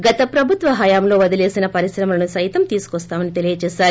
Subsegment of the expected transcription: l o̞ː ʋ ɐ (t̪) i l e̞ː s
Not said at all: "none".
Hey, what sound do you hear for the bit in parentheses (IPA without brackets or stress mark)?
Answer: d̪